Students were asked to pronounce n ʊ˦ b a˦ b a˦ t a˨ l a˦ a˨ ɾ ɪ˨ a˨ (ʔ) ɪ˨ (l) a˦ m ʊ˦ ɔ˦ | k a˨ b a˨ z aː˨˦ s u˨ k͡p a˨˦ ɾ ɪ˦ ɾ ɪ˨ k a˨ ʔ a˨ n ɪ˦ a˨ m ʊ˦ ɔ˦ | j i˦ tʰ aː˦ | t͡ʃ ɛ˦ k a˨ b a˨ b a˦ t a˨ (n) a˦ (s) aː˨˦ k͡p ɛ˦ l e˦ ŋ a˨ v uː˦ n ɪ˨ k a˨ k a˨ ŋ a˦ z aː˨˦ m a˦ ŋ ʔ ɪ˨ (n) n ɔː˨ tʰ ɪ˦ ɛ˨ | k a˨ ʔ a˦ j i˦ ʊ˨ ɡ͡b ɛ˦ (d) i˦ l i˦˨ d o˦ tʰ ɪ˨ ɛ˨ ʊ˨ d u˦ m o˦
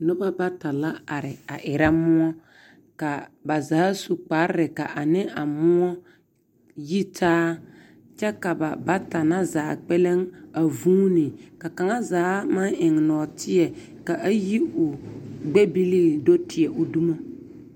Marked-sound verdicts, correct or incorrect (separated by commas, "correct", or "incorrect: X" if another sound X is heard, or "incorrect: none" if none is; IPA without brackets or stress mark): correct, incorrect: ɾ, correct, incorrect: z, incorrect: ŋ, incorrect: b